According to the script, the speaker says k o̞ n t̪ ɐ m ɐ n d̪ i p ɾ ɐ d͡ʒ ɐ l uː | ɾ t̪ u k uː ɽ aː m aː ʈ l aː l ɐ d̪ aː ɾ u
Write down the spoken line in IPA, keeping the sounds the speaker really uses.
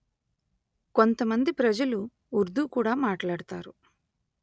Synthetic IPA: k o̞ n t̪ ɐ m ɐ n d̪ i p ɾ ɐ d͡ʒ ɐ l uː | ɾ d̪ u k uː ɽ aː m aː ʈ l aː ɽ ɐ t̪ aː ɾ u